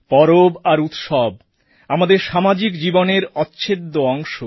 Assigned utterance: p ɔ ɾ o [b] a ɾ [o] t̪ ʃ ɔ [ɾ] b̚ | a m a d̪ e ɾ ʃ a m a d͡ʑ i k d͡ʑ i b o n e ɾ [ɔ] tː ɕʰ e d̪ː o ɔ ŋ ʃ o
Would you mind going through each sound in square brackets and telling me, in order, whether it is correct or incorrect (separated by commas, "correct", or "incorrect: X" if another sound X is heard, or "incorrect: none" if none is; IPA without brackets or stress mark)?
correct, incorrect: u, incorrect: none, correct